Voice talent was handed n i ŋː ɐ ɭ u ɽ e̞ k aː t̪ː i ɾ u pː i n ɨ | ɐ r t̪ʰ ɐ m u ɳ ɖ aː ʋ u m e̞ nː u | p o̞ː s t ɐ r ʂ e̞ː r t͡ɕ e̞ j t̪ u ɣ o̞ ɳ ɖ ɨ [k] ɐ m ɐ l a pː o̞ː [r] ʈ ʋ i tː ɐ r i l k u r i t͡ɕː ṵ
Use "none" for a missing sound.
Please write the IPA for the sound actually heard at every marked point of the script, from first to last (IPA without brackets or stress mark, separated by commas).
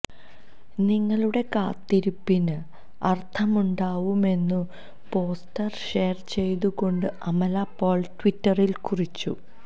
none, ɭ